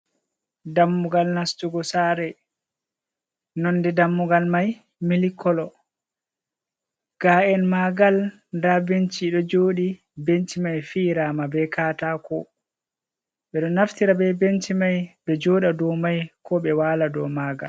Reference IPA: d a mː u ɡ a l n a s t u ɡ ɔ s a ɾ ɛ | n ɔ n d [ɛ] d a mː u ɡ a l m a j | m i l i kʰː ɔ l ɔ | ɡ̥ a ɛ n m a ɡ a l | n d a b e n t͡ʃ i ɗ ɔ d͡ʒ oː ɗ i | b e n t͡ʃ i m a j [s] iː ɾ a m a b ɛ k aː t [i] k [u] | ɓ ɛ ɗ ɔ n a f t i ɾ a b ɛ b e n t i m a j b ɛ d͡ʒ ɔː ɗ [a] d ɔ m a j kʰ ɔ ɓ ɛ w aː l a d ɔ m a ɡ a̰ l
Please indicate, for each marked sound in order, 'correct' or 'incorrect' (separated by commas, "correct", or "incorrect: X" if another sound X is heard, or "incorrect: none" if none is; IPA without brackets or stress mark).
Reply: correct, incorrect: f, incorrect: a, incorrect: ɔ, correct